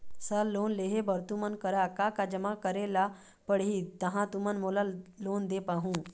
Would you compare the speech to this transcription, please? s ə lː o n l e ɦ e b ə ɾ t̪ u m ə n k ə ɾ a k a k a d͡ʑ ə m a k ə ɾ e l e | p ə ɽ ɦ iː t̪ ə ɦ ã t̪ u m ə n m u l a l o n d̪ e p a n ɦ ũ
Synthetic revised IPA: s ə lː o n l e ɦ e b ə ɾ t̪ u m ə n k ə ɾ a k a k a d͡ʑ ə m a k ə ɾ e l a | p ə ɽ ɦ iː t̪ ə ɦ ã t̪ u m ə n m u l a l o n d̪ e p a ɦ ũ